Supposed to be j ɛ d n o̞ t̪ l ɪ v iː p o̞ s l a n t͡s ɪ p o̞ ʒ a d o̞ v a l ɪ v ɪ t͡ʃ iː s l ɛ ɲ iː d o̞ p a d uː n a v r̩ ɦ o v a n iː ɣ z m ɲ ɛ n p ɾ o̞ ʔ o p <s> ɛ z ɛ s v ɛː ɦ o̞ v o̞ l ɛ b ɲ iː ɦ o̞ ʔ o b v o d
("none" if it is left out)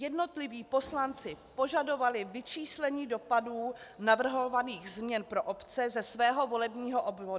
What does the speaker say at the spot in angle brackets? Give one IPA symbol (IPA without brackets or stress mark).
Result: t͡s